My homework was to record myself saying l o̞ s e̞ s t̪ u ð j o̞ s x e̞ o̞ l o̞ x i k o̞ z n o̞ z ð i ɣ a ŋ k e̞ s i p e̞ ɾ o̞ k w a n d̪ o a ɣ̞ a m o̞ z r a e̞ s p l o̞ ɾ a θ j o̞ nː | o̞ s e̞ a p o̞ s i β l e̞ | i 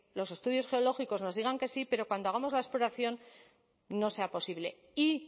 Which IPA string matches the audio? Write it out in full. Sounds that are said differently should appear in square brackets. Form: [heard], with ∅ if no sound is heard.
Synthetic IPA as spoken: l o̞ s e̞ s t̪ u ð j o̞ s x e̞ o̞ l o̞ x i k o̞ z n o̞ z ð i ɣ a ŋ k e̞ s i p e̞ ɾ o̞ k w a n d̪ o a ɣ̞ a m o̞ z [l] a e̞ s p l o̞ ɾ a θ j o̞ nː | o̞ s e̞ a p o̞ s i β l e̞ | i